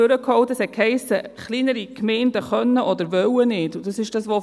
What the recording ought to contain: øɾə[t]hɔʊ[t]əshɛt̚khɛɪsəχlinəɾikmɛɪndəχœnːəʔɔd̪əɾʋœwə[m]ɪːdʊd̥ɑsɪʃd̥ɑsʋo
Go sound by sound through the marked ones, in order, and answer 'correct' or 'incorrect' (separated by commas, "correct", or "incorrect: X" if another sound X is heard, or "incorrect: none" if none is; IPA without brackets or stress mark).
incorrect: k, correct, incorrect: n